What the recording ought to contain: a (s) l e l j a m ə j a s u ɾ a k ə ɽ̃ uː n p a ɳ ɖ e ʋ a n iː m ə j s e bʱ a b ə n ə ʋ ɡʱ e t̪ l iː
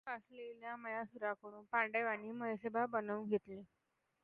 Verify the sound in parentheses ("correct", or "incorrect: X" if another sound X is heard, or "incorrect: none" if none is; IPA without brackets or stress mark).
correct